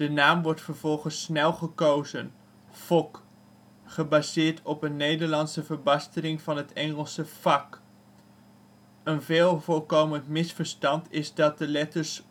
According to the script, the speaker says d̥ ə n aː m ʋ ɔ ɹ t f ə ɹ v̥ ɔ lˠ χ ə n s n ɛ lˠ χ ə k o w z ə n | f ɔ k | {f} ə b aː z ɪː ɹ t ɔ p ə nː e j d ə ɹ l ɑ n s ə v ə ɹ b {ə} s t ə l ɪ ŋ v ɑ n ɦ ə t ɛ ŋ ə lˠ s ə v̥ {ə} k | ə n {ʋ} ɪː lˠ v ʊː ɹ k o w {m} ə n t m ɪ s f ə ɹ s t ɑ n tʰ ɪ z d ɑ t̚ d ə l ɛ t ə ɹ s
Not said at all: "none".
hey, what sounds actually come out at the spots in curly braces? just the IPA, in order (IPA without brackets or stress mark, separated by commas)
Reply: χ, ɑ, ɑ, v, m